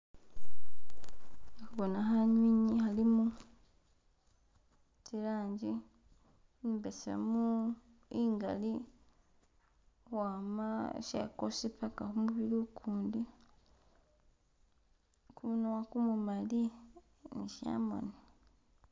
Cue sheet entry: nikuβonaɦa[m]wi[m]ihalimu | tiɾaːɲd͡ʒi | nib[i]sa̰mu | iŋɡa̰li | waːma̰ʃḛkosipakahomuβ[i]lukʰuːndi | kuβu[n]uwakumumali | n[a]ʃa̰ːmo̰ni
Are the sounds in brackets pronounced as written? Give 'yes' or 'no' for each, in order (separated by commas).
no, no, no, yes, yes, no